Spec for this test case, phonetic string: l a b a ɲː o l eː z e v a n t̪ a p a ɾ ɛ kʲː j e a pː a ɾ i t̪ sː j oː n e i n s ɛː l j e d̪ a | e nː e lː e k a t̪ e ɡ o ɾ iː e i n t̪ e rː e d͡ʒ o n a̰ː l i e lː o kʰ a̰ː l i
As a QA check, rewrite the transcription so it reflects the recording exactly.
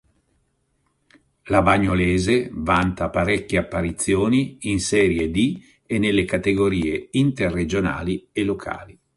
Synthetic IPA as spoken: l a b a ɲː o l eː z e v a n t̪ a p a ɾ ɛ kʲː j e a pː a ɾ i t̪ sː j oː n i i n s ɛː ɾ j e d̪ i | e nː e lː e k a t̪ e ɡ o ɾ iː e i n t̪ e rː e d͡ʒ o n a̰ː l i e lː o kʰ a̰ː l i